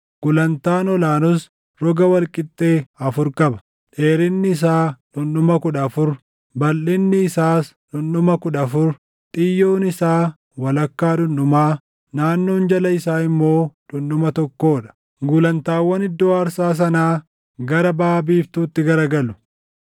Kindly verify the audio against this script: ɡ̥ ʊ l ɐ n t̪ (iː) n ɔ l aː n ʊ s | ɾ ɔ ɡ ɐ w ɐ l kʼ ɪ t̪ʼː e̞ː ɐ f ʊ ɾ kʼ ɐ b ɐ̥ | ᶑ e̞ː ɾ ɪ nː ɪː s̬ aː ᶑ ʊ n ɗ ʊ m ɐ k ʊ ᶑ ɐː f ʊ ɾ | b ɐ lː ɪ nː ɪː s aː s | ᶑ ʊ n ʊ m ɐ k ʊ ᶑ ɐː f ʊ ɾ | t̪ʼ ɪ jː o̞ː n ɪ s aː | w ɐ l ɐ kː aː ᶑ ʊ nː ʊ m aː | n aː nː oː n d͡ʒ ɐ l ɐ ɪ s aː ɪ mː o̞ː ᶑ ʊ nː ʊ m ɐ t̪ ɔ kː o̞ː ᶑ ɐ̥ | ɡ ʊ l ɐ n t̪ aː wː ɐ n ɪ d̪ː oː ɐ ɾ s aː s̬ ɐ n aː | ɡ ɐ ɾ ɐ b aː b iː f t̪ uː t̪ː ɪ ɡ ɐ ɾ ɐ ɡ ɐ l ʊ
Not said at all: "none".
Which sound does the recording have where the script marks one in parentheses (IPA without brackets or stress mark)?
aː